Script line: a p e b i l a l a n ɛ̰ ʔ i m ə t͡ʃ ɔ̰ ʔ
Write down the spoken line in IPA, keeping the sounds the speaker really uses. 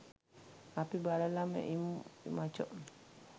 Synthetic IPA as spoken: a p i b a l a l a m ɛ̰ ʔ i m a t͡ʃ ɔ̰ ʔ